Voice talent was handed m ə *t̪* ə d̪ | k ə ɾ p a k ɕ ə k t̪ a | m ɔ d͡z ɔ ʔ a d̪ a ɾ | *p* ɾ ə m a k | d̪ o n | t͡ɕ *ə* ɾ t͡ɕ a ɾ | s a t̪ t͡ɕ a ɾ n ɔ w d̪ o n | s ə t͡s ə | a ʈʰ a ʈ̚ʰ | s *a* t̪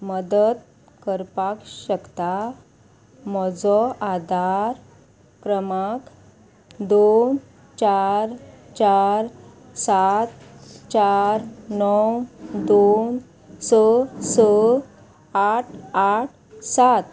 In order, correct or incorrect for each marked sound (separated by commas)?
incorrect, incorrect, incorrect, correct